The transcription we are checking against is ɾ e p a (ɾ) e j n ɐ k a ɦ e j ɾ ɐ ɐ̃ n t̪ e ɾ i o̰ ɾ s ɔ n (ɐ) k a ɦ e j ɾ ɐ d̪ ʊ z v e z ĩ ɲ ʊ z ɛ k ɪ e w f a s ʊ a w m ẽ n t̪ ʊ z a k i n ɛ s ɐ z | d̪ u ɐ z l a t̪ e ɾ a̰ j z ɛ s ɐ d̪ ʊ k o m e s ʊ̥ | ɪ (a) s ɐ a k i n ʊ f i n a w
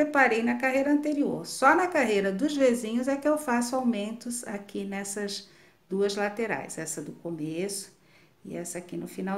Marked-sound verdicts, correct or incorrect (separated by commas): correct, correct, incorrect